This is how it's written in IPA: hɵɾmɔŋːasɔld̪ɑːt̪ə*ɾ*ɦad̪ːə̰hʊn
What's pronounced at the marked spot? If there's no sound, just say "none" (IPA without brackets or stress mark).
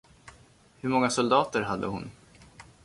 ɾ